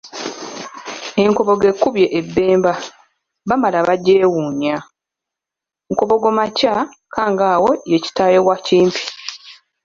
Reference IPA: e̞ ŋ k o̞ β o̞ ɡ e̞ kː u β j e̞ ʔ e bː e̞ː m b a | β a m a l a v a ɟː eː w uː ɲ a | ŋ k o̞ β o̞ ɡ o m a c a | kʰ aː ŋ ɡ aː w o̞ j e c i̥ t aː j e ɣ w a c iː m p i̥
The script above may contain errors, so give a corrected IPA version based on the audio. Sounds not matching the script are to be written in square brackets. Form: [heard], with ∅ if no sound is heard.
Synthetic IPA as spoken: e̞ ŋ k o̞ β o̞ ɡ e̞ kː u β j e̞ ʔ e bː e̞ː m b a | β a m a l a [β] a ɟː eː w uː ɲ a | ŋ k o̞ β o̞ ɡ o m a c a | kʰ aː ŋ ɡ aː w o̞ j e c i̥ t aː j e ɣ w a c iː m p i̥